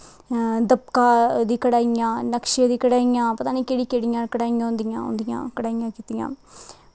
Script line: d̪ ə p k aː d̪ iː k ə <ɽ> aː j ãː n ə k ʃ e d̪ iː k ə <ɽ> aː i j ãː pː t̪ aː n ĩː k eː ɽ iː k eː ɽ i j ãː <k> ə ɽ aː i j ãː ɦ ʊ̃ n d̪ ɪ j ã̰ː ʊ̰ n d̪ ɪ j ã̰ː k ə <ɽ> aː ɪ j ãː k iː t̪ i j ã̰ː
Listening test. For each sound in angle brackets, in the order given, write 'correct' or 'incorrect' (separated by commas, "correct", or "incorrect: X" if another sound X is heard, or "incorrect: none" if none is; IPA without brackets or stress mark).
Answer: correct, correct, correct, correct